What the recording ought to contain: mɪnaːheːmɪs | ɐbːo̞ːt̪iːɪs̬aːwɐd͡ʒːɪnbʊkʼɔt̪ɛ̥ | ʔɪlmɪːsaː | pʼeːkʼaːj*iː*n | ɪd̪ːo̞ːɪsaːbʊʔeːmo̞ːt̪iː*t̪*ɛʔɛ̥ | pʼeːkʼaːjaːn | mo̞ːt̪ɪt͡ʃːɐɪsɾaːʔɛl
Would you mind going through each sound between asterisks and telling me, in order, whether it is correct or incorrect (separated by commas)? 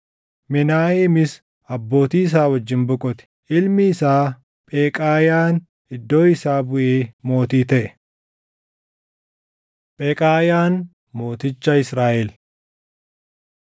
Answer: incorrect, correct